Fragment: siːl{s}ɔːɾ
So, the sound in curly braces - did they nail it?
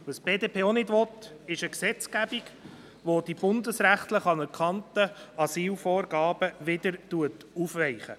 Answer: no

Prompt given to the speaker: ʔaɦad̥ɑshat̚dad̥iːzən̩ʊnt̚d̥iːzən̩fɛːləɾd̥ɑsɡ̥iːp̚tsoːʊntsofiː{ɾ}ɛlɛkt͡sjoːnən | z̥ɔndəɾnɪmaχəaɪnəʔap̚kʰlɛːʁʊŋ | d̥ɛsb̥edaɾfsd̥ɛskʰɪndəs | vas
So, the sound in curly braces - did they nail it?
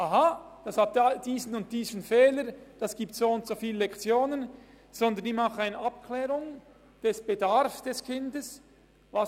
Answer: no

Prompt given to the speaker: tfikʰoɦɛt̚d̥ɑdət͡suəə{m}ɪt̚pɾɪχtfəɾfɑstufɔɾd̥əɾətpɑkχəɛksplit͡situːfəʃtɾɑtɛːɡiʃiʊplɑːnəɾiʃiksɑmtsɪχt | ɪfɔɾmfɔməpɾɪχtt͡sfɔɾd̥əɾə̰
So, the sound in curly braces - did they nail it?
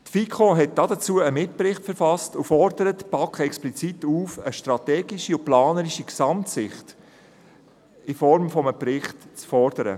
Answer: yes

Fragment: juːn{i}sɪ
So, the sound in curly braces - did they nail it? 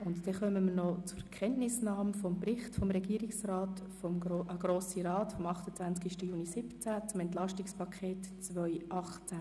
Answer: yes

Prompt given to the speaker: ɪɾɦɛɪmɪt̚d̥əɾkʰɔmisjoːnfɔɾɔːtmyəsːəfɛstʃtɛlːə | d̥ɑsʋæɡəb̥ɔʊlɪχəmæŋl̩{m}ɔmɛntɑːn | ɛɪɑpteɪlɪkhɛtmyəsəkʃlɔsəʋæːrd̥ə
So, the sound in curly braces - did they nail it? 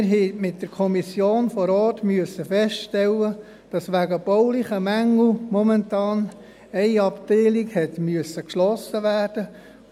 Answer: yes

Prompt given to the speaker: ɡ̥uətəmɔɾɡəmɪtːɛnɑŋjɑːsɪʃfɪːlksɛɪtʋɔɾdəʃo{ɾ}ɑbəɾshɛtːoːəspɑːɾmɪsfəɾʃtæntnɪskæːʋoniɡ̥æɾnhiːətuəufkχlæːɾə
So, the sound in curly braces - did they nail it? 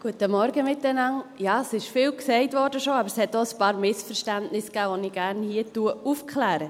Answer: no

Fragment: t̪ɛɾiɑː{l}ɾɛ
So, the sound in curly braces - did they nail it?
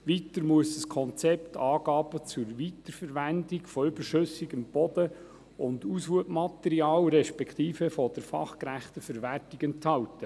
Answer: yes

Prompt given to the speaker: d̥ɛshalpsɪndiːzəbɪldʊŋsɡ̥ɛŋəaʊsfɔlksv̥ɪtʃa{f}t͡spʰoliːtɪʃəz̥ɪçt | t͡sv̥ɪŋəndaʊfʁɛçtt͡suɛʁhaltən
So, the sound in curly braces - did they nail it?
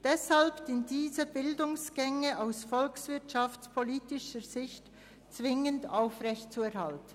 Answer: yes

